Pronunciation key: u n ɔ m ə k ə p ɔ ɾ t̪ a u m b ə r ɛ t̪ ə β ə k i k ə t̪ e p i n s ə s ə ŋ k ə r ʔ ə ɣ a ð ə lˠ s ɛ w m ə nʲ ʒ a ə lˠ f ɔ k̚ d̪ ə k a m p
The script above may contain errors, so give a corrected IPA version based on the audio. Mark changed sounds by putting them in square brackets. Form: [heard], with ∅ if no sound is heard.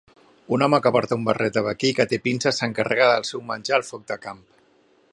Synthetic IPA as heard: u n ɔ m ə k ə p ɔ ɾ t̪ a u m b ə r ɛ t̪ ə β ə k i k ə t̪ e p i n s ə s ə ŋ k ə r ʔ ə ɣ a ð ə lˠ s ɛ w m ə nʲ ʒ a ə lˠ f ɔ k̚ d̪ ə k a m p